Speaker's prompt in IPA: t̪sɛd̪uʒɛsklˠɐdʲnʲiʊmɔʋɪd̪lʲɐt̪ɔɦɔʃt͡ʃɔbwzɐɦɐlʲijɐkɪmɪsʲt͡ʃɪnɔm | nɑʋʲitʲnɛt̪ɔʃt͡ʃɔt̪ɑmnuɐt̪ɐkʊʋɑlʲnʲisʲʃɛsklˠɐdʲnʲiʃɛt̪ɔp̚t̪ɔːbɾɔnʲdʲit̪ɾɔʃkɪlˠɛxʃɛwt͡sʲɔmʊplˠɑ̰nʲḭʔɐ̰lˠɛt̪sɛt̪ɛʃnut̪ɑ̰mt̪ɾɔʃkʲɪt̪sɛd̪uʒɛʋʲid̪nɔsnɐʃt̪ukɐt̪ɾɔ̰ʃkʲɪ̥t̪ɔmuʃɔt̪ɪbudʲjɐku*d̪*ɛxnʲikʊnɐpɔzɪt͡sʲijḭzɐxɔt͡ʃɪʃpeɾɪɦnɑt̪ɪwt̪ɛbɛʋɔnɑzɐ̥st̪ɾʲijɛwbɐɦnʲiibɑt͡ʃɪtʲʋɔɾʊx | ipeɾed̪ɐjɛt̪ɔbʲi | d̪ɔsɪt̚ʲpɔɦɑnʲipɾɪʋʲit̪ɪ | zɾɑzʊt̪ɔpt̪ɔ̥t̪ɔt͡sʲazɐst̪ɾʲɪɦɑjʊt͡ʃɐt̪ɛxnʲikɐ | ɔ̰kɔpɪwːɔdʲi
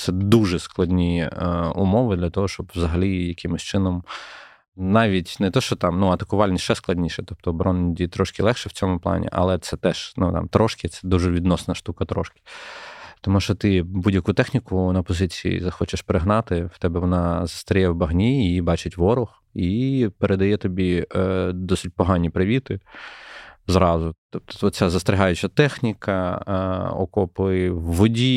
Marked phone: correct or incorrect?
incorrect